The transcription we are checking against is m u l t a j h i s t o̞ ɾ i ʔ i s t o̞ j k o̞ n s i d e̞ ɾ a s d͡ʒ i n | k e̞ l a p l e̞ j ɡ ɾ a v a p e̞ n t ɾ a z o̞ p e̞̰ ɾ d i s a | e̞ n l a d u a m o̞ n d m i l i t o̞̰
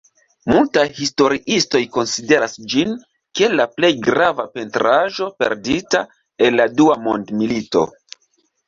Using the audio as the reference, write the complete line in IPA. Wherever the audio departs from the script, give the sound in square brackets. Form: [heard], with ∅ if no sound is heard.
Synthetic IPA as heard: m u l t a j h i s t o̞ ɾ i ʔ i s t o̞ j k o̞ n s i d e̞ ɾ a s d͡ʒ i n | k e̞ l a p l e̞ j ɡ ɾ a v a p e̞ n t ɾ a [ʒ] o̞ p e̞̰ ɾ d i [t] a | e̞ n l a d u a m o̞ n d m i l i t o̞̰